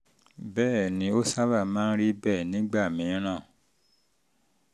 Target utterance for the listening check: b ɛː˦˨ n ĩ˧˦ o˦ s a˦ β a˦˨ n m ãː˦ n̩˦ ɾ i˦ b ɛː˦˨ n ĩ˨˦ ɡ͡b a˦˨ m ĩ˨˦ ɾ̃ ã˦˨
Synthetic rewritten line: b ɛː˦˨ n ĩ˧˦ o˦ s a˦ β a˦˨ m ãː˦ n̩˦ ɾ i˦ b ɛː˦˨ n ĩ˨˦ ɡ͡b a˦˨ m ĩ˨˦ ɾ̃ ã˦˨